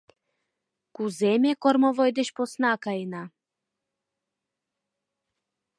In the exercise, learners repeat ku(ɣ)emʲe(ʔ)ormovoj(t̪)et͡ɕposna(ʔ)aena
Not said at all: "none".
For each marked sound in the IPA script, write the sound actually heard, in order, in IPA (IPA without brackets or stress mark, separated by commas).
z, k, d̪, k